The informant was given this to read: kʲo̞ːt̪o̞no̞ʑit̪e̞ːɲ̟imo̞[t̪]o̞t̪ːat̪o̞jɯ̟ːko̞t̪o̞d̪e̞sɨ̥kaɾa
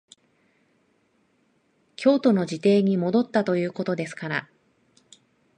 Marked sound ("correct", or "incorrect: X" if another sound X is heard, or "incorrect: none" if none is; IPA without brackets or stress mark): incorrect: d̪